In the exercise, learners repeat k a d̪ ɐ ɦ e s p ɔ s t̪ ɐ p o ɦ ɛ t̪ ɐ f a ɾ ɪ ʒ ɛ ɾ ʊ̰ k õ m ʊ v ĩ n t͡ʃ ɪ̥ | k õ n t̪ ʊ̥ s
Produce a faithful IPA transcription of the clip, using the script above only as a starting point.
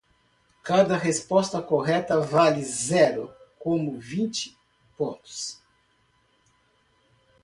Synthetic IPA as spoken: k a d̪ ɐ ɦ e s p ɔ s t̪ ɐ k o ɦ ɛ t̪ ɐ v a l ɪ z ɛ ɾ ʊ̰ k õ m ʊ v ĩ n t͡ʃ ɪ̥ | p õ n t̪ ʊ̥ s

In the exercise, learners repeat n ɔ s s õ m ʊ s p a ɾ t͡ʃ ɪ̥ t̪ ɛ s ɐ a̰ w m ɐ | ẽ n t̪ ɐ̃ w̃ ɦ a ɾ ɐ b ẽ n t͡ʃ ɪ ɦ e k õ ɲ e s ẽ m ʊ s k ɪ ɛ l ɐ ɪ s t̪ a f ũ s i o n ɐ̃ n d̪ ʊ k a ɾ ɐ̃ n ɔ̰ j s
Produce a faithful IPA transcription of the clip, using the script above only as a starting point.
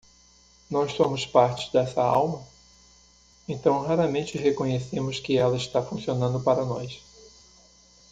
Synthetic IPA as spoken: n ɔ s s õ m ʊ s p a ɾ t͡ʃ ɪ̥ d̪ ɛ s ɐ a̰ w m ɐ | ẽ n t̪ ɐ̃ w̃ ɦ a ɾ ɐ m ẽ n t͡ʃ ɪ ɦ e k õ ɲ e s ẽ m ʊ s k ɪ ɛ l ɐ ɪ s t̪ a f ũ s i o n ɐ̃ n d̪ ʊ p a ɾ ɐ n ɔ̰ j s

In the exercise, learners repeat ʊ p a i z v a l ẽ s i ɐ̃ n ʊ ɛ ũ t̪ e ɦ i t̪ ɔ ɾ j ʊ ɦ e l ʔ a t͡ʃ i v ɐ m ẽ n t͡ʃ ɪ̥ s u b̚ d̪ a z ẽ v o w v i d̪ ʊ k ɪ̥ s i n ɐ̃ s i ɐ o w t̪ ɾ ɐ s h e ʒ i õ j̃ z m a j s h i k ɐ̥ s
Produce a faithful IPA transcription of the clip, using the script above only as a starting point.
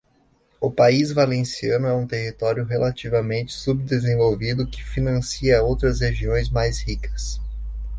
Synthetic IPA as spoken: ʊ p a i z v a l ẽ s i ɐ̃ n ʊ ɛ ũ t̪ e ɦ i t̪ ɔ ɾ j ʊ ɦ e l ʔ a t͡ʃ i v ɐ m ẽ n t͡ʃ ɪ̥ s u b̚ d̪ e z ẽ v o w v i d̪ ʊ k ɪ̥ f i n ɐ̃ s i ɐ o w t̪ ɾ ɐ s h e ʒ i õ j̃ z m a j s h i k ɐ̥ s

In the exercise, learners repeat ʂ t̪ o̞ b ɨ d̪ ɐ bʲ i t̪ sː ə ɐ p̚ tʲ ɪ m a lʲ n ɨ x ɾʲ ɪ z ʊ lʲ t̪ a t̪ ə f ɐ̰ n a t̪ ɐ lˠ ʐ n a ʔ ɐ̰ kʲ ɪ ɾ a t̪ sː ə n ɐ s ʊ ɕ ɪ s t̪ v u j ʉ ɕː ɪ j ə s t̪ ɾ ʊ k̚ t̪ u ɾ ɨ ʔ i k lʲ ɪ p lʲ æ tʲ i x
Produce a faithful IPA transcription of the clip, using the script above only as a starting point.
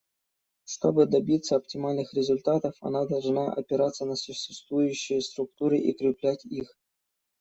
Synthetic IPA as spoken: ʂ t̪ o̞ b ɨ d̪ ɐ bʲ i t̪ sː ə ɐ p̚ tʲ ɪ m a lʲ n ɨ x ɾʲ ɪ z ʊ lʲ t̪ a t̪ ə f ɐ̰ n a d̪ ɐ lˠ ʐ n a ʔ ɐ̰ pʲ ɪ ɾ a t̪ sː ə n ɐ s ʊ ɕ ɪ s t̪ v u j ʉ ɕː ɪ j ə s t̪ ɾ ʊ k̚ t̪ u ɾ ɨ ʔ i k ɾʲ ɪ p lʲ æ tʲ i x

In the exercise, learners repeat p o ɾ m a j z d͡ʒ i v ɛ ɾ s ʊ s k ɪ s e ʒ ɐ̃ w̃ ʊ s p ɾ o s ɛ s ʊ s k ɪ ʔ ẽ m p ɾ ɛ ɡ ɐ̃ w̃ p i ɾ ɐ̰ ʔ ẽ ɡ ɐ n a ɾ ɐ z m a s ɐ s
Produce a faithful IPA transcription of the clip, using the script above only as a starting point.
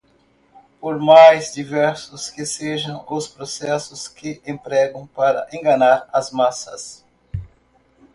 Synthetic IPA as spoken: p o ɾ m a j z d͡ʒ i v ɛ ɾ s ʊ s k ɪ s e ʒ ɐ̃ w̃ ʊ s p ɾ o s ɛ s ʊ s k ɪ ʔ ẽ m p ɾ ɛ ɡ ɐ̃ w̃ p a ɾ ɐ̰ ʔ ẽ ɡ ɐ n a ɾ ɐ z m a s ɐ s

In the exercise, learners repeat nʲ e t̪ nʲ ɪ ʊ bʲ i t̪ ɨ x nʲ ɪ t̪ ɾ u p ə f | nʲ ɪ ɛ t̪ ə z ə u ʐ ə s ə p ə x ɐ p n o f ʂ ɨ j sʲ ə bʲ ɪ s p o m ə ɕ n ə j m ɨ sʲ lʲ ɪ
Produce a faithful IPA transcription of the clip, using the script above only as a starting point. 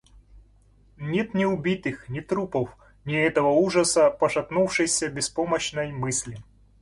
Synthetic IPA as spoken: nʲ e t̪ nʲ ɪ ʊ bʲ i t̪ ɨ x nʲ ɪ t̪ ɾ u p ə f | nʲ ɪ ɛ t̪ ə v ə u ʐ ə s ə p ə ʂ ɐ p n u f ʂ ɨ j sʲ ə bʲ ɪ s p o m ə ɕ n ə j m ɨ sʲ lʲ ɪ

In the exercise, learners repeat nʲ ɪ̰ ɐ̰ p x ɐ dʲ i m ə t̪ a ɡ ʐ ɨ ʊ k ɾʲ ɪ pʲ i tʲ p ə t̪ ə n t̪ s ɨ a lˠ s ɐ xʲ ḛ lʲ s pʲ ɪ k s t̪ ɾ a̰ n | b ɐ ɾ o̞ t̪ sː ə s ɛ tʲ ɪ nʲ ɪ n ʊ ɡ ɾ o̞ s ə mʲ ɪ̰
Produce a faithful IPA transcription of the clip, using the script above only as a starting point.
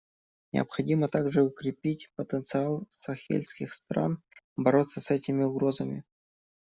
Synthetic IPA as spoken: nʲ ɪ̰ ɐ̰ p x ɐ dʲ i m ə t̪ a ɡ ʐ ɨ ʊ k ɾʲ ɪ pʲ i tʲ p ə t̪ ə n t̪ s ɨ a lˠ s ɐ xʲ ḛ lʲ s kʲ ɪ x s t̪ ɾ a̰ n | b ɐ ɾ o̞ t̪ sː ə s ɛ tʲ ɪ mʲ ɪ ʊ ɡ ɾ o̞ z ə mʲ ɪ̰

